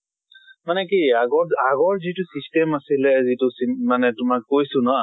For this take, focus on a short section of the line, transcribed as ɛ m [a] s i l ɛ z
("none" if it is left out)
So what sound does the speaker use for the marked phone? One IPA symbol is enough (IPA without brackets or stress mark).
a